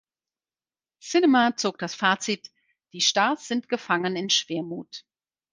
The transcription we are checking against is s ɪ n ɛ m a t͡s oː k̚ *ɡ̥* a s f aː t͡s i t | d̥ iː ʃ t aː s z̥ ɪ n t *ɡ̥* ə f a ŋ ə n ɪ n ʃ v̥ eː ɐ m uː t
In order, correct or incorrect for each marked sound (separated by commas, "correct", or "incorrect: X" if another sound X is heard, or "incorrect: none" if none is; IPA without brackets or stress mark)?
incorrect: d̥, correct